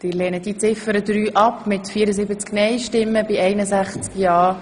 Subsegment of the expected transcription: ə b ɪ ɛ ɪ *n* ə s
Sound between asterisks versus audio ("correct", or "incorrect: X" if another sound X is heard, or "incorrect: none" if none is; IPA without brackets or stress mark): correct